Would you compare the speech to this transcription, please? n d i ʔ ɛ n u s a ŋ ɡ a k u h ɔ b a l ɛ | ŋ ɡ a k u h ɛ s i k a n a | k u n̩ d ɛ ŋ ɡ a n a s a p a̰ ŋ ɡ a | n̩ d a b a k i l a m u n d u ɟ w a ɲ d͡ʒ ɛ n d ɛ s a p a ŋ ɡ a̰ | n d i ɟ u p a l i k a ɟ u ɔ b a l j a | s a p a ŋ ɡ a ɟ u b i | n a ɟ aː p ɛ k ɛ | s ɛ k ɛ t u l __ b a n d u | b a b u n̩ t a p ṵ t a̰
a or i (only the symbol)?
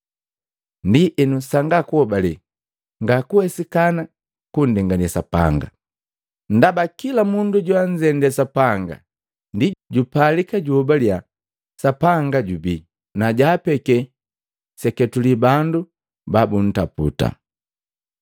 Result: i